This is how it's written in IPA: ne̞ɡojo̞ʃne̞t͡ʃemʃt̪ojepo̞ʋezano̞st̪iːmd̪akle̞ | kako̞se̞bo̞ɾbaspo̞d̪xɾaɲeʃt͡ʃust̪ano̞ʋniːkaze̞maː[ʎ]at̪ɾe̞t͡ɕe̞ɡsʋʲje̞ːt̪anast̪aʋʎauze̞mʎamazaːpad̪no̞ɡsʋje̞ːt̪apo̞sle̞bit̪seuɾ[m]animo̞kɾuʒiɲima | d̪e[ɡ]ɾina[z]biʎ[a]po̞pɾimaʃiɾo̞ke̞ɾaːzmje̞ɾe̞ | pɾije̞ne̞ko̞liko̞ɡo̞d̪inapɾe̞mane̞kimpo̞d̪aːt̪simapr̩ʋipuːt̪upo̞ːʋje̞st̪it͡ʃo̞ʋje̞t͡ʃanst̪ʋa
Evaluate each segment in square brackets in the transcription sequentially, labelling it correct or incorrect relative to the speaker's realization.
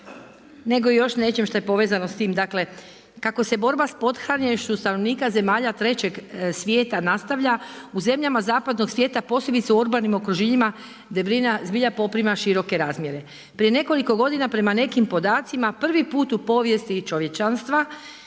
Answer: correct, incorrect: b, incorrect: b, correct, correct

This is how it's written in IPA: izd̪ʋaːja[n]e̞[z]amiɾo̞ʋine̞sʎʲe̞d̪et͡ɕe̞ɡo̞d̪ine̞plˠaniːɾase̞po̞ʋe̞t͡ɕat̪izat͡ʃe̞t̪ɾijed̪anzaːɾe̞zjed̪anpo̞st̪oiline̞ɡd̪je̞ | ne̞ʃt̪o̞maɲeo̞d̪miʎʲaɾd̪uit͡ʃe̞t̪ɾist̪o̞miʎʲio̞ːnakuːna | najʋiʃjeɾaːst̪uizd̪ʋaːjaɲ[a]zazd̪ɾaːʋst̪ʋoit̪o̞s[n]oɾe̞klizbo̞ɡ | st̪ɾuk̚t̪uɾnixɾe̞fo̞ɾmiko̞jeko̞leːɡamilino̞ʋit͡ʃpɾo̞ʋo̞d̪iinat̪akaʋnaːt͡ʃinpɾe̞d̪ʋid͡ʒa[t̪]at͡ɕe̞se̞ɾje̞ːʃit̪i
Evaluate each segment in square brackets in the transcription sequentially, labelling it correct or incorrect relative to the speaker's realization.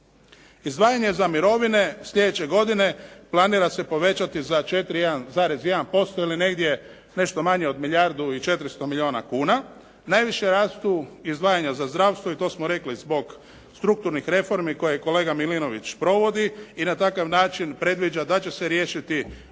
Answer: incorrect: ɲ, correct, correct, incorrect: m, incorrect: d̪

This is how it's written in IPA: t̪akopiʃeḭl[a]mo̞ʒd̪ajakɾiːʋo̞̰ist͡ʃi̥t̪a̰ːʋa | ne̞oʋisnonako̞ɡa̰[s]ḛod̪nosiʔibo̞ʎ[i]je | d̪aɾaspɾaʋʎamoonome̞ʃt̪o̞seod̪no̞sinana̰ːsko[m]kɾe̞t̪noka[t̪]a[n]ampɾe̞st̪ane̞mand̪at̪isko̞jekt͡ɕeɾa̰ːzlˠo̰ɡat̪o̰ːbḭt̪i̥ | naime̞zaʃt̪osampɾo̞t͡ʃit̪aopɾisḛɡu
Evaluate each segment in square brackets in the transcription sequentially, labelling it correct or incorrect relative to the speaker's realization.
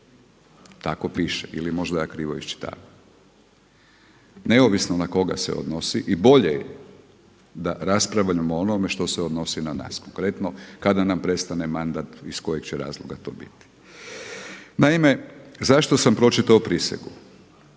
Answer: incorrect: i, correct, incorrect: e, incorrect: ŋ, incorrect: d̪, correct

